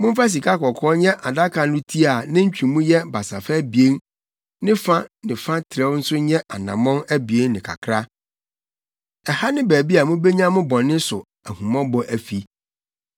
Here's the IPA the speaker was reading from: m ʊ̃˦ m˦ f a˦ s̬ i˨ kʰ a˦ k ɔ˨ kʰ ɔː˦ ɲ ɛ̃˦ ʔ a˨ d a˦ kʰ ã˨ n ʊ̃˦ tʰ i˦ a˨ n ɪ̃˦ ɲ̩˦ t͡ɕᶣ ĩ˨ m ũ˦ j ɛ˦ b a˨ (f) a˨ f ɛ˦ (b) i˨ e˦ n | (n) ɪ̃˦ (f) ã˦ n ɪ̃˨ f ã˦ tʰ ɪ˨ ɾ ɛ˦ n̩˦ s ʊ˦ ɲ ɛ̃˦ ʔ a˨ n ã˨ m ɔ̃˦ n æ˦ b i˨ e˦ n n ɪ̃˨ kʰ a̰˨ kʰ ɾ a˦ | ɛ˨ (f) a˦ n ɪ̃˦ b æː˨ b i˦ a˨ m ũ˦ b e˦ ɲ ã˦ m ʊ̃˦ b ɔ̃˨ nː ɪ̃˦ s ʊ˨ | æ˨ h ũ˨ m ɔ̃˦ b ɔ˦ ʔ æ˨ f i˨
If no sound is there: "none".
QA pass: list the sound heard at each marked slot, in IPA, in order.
s, b, n, f, h

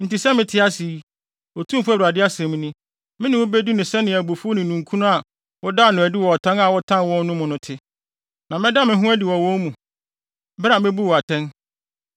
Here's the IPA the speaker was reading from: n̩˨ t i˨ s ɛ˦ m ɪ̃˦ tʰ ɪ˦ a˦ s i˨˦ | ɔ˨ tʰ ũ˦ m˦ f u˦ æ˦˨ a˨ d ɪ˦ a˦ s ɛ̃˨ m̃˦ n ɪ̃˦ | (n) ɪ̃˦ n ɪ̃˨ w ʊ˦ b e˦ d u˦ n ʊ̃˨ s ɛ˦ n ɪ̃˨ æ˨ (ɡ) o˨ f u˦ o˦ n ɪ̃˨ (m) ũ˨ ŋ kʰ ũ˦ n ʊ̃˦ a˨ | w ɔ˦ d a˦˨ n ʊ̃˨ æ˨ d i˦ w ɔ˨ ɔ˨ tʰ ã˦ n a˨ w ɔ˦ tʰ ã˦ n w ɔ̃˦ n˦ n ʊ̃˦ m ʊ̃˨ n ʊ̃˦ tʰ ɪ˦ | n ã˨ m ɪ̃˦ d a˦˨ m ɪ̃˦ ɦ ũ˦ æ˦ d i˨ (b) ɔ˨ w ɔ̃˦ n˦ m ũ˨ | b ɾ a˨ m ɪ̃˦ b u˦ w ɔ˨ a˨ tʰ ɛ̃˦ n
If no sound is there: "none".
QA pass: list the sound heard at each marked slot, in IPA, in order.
m, b, n, w

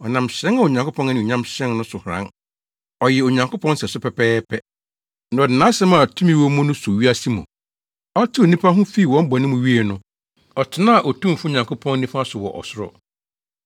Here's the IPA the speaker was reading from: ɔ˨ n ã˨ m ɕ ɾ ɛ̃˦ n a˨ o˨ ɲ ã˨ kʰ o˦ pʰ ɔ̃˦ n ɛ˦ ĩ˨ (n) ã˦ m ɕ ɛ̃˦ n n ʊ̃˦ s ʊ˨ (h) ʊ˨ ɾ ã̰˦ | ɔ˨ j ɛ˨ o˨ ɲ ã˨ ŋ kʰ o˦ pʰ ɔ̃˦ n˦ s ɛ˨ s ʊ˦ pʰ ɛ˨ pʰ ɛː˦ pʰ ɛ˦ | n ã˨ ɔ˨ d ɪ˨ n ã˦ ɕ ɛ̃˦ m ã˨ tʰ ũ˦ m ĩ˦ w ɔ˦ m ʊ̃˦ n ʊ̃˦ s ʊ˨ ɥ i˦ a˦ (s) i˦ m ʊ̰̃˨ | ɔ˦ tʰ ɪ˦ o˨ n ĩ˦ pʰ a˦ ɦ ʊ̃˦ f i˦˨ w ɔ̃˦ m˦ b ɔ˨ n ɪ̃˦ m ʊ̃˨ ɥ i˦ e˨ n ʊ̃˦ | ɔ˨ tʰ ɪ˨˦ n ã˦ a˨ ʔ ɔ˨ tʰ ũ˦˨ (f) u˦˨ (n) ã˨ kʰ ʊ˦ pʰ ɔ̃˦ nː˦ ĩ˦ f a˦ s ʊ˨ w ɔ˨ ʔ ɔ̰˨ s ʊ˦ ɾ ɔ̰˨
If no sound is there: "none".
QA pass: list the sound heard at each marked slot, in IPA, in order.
ɲ, h, s, f, ɲ

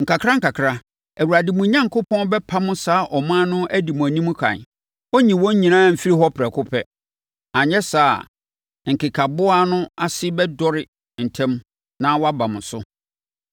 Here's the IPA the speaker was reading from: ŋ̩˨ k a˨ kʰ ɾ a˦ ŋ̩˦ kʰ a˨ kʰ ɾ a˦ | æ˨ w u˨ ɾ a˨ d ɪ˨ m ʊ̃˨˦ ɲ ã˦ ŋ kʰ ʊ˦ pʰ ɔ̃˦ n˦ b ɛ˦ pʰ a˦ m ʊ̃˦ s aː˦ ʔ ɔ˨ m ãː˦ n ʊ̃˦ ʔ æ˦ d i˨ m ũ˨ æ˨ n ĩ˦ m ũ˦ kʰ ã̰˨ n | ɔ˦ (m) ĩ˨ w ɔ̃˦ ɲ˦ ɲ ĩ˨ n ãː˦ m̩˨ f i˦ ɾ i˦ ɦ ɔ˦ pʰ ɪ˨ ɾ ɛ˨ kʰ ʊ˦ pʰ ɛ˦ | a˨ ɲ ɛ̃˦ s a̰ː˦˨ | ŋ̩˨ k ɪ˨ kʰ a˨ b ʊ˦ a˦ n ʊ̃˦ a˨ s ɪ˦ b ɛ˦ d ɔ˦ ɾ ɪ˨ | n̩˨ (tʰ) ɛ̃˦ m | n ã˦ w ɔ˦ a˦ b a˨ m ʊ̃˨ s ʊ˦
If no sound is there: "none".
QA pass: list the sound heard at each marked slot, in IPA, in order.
ɲ, tʰ

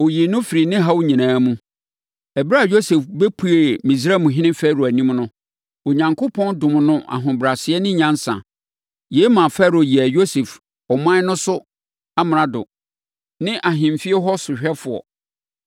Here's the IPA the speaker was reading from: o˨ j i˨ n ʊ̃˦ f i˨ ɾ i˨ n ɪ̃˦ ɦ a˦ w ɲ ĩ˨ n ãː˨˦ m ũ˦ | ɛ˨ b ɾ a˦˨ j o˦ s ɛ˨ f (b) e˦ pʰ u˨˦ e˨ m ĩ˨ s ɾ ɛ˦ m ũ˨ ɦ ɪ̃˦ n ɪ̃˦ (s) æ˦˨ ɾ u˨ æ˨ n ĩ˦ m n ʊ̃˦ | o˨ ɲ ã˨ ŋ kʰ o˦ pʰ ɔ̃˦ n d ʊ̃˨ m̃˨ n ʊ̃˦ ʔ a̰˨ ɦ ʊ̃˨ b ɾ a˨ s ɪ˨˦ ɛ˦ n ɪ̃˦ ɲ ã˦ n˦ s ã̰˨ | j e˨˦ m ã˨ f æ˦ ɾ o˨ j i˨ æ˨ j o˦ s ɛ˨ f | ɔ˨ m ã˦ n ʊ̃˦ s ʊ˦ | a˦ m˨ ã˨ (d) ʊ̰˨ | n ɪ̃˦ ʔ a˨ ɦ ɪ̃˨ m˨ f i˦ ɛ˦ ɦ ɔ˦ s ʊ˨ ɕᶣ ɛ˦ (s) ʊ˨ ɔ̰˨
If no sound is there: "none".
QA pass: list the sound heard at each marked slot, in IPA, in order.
b, f, d, f

